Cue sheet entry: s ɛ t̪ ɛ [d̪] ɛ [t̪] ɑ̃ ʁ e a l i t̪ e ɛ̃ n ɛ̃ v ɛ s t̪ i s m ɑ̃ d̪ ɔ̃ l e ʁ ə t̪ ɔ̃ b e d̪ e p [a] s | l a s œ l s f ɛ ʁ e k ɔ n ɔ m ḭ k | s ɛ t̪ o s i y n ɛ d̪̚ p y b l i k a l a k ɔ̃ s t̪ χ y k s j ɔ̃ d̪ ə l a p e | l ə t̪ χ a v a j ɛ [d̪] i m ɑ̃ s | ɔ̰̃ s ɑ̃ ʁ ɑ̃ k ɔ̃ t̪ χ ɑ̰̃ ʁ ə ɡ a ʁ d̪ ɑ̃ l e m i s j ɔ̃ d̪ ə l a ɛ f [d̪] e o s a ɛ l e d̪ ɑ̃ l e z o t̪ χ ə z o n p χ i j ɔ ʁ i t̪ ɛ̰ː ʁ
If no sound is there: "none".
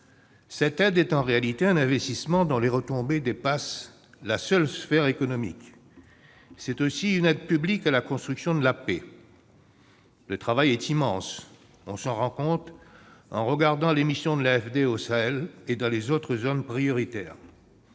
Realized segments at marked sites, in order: d̪, t̪, a, t̪, d̪

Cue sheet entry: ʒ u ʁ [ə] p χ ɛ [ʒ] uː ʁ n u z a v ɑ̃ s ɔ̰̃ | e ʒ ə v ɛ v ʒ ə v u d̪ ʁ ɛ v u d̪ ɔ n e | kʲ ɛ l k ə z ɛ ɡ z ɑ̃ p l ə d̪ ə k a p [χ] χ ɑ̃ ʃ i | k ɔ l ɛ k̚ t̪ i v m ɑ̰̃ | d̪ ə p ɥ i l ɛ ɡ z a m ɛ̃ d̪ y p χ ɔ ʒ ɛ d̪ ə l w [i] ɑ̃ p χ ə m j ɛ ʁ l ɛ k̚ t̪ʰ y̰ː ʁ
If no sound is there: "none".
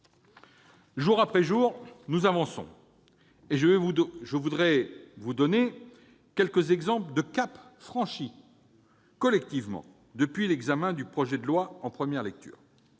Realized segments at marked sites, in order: a, ʒ, f, a

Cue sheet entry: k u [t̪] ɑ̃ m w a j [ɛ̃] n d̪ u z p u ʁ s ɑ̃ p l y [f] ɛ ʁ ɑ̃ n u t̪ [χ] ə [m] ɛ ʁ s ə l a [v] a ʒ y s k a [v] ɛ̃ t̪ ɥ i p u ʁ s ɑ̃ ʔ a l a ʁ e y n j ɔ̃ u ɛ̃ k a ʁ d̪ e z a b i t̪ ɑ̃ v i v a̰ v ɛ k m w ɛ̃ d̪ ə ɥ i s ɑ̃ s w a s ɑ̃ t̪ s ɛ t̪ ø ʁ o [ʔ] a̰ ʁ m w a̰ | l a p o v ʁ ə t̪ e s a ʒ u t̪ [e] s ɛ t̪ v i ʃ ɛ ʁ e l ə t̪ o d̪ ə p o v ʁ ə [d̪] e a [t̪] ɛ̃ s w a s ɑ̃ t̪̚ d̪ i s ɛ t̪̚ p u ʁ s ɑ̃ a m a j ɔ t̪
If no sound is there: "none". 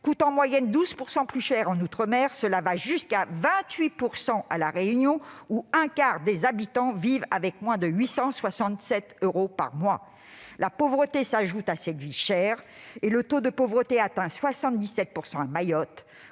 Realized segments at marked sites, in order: t̪, ɛ, ʃ, χ, m, v, v, p, a, t̪, t̪

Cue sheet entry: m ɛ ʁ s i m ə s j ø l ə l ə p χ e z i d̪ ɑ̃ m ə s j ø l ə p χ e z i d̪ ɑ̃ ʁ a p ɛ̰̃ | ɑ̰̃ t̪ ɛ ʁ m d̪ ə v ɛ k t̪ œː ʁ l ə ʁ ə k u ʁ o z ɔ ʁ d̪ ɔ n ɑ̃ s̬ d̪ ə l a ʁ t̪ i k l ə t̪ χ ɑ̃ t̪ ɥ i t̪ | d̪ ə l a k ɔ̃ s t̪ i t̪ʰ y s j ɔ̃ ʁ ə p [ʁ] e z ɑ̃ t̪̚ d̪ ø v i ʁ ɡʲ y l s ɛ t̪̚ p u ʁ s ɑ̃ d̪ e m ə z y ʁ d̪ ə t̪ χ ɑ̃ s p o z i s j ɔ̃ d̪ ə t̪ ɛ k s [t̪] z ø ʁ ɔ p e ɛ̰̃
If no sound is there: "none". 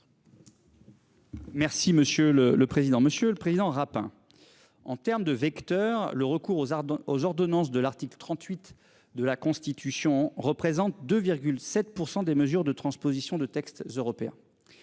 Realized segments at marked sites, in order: χ, t̪

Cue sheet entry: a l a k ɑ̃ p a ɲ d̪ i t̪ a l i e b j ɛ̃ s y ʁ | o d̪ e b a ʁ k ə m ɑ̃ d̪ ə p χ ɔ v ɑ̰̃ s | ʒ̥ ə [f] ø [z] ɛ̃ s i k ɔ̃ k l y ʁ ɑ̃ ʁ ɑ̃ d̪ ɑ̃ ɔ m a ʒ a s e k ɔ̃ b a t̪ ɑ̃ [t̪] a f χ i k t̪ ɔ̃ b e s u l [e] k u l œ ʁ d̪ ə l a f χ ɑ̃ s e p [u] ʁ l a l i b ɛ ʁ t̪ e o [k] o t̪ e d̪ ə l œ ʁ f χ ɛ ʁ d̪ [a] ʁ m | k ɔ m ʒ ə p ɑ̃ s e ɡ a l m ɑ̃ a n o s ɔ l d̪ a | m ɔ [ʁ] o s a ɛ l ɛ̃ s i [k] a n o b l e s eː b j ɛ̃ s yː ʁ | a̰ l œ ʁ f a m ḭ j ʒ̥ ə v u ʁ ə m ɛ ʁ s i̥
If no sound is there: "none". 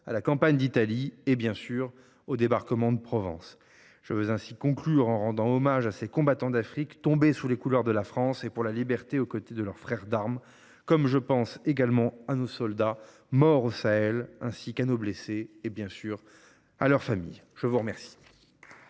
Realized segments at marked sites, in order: v, z, d̪, e, u, k, a, ʁ, k

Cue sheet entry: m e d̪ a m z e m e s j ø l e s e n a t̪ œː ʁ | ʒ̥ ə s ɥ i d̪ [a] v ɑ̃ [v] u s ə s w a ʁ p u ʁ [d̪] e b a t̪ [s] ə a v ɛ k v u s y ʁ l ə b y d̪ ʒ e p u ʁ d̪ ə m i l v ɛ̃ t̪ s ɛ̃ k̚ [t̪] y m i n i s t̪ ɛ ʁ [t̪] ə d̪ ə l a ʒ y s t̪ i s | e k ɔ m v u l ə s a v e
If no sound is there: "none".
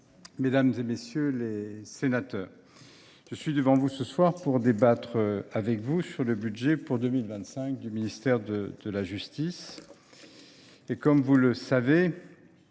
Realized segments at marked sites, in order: ə, v, d̪, χ, d̪, d̪

